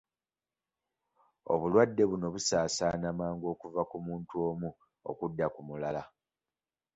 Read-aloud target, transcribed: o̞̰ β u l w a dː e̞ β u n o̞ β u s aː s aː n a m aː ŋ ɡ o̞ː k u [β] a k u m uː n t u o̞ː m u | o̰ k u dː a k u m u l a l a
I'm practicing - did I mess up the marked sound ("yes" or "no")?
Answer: yes